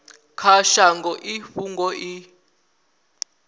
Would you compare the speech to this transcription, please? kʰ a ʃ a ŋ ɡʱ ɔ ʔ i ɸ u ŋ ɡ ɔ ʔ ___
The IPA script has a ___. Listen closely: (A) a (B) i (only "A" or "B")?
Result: B